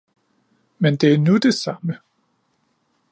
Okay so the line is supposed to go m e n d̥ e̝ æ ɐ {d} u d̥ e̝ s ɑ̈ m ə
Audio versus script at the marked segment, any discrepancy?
yes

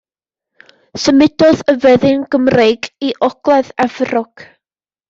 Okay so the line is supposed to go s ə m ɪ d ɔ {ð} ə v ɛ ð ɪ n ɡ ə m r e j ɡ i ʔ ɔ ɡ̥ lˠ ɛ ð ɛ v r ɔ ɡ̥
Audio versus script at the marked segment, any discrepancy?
no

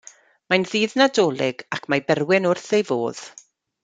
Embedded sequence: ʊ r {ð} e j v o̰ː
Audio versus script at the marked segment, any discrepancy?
yes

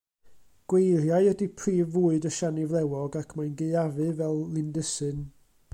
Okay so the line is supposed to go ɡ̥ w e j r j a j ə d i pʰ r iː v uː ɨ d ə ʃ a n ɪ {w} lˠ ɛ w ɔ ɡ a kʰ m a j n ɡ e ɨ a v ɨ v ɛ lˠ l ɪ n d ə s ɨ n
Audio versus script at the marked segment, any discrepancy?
yes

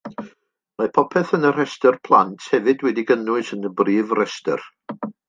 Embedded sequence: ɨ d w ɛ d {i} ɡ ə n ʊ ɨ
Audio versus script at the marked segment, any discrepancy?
no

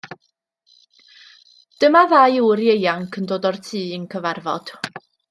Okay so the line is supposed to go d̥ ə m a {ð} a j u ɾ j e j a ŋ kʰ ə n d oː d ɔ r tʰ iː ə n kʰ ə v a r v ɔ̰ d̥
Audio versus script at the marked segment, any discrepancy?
no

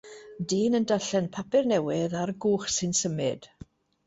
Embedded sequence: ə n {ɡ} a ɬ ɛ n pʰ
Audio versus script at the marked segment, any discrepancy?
yes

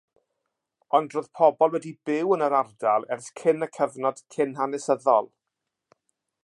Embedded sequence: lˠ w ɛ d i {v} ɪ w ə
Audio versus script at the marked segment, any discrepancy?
yes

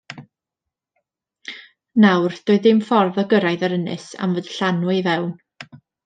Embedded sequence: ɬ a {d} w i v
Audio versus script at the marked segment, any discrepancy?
yes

